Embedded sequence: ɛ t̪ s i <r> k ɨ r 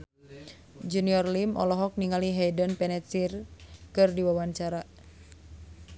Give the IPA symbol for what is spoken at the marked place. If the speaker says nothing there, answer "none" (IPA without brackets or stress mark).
r